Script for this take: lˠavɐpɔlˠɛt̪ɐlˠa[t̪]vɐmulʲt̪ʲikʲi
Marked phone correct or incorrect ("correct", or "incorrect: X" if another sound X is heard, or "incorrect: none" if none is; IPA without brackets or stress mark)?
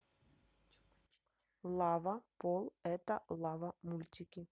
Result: incorrect: none